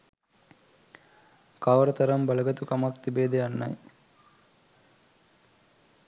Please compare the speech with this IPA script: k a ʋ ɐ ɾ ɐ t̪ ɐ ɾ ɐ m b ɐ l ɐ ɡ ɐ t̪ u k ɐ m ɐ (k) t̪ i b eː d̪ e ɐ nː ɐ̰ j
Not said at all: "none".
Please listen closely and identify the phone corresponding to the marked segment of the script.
k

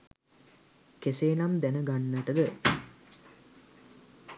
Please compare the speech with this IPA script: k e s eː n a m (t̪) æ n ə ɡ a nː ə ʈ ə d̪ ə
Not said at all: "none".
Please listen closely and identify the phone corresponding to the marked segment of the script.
d̪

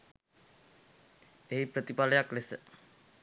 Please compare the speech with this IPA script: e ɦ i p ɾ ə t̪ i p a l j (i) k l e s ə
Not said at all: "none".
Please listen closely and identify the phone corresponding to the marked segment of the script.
a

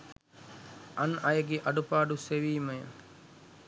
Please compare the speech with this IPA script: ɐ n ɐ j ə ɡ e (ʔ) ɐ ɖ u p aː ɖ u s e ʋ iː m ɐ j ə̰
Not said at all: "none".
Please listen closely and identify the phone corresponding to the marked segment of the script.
ʔ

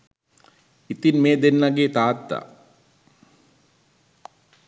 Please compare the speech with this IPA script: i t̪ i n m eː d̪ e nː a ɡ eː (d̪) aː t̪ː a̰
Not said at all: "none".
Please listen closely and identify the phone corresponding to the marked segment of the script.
t̪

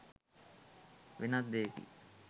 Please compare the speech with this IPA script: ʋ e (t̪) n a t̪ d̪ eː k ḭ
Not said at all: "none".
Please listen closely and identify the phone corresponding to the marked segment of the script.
none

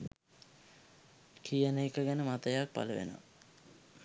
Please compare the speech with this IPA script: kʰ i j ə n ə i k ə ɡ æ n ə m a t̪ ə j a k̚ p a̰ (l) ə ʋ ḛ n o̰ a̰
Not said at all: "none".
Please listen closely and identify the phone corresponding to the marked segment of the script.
l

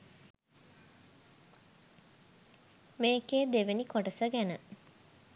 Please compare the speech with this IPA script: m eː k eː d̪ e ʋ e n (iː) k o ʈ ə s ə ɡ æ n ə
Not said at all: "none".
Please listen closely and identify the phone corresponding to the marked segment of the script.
i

